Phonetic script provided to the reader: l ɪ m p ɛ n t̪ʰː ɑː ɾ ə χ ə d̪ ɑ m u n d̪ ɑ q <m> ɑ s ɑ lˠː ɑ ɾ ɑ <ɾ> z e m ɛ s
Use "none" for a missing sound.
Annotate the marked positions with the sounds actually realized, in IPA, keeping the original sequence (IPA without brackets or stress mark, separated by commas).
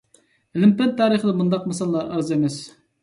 m, ɾ